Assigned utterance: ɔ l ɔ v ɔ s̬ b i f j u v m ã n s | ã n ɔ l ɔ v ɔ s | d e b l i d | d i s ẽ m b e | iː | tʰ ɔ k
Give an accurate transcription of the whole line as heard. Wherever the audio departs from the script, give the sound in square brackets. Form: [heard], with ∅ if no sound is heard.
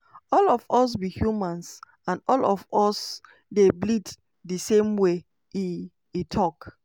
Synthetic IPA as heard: ɔ l ɔ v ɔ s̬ b i [h] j u [∅] m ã n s | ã n ɔ l ɔ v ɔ s | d e b l i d | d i s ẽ m [w] e | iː | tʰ ɔ k